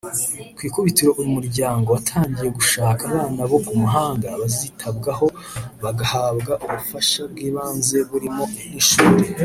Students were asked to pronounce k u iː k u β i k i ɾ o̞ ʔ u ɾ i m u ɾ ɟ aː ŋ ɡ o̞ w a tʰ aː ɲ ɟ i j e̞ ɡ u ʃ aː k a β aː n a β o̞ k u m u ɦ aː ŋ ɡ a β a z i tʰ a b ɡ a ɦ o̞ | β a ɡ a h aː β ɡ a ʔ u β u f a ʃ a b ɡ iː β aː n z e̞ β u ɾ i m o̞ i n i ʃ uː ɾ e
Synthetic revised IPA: k w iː k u β i t i ɾ o̞ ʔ u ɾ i m u ɾ ɟ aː ŋ ɡ o̞ w a tʰ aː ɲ ɟ i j e̞ ɡ u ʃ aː k a β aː n a β o̞ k u m u ɦ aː ŋ ɡ a β a z i tʰ a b ɡ a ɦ o̞ | β a ɡ a h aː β ɡ a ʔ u β u f a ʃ a b ɡ iː β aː n z e̞ β u ɾ i m o̞ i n i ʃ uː ɾ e

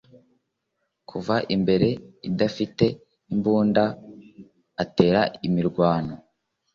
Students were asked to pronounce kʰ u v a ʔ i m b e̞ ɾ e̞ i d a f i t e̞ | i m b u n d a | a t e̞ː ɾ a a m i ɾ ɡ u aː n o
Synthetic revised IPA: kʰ u v a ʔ i m b e̞ ɾ e̞ i d a f i t e̞ | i m b uː n d a | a t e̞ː ɾ a i m i ɾ ɡ w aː n o

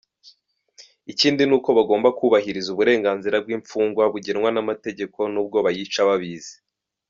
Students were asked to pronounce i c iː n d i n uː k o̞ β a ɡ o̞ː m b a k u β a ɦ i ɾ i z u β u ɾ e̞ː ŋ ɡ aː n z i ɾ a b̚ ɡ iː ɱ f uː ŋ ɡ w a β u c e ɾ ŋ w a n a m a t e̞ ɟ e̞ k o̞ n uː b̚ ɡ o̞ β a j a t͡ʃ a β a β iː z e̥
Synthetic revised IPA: i c iː n d i n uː k o̞ β a ɡ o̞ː m b a k u β a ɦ i ɾ i z u β u ɾ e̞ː ŋ ɡ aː n z i ɾ a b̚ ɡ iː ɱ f uː ŋ ɡ w a β u ɟ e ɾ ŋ w a n a m a t e̞ ɟ e̞ k o̞ n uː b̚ ɡ o̞ β a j i t͡ʃ a β a β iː z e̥

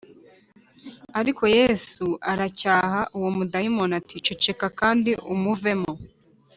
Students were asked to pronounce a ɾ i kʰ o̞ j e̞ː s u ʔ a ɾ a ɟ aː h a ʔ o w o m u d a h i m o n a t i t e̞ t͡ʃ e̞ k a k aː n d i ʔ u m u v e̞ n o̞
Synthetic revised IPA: a ɾ i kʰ o̞ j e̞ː s u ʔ a ɾ a c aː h a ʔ u w o m u d a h i m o n a t i t͡ʃ e̞ t͡ʃ e̞ k a k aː n d i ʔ u m u v e̞ m o̞

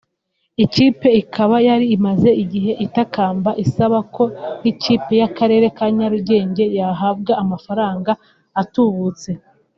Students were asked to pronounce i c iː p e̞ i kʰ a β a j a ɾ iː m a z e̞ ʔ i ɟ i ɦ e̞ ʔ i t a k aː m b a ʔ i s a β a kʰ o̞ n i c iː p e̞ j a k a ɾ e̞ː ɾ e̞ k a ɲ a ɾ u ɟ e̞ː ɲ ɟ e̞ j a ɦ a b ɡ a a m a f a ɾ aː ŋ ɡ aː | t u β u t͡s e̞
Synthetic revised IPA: i c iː p e̞ i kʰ a β a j a ɾ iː m a z e̞ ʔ i ɟ i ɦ e̞ ʔ i t a k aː m b a ʔ i s a β a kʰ o̞ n i c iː p e̞ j a k a ɾ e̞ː ɾ e̞ k a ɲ a ɾ u ɟ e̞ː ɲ ɟ e̞ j a ɦ a b ɡ a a m a f a ɾ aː ŋ ɡ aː | t u β u t͡s e̞

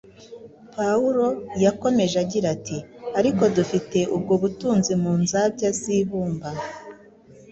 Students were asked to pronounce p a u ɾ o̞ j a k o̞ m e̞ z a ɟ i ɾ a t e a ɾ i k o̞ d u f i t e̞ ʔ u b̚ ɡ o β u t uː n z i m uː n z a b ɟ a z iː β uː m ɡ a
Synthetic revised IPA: p a u ɾ o̞ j a k o̞ m e̞ ʒ a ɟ i ɾ a t i a ɾ i k o̞ d u f i t e̞ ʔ u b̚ ɡ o β u t uː n z i m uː n z a b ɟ a z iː β uː m b a

